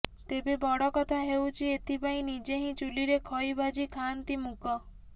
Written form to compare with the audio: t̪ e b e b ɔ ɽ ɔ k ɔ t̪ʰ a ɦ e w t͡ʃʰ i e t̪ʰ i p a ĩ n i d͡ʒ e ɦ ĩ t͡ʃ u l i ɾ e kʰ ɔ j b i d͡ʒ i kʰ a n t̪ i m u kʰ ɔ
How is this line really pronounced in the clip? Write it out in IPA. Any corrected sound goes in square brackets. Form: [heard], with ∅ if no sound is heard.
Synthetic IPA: t̪ e b e b ɔ ɽ ɔ k ɔ t̪ʰ a ɦ e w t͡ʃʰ i e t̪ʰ i p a ĩ n i d͡ʒ e ɦ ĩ t͡ʃ u l i ɾ e kʰ ɔ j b [a] d͡ʒ i kʰ a n t̪ i m u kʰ ɔ